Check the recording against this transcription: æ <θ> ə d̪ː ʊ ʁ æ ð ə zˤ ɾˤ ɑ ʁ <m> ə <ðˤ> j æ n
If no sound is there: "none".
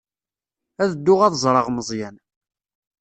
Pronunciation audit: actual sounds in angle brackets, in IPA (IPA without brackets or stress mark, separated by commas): ð, m, zˤ